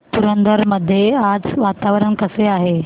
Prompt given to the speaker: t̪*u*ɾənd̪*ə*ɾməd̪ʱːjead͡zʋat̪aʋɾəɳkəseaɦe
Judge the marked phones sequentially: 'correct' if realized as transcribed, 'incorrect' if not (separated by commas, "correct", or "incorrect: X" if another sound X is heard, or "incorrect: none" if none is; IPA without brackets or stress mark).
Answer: correct, correct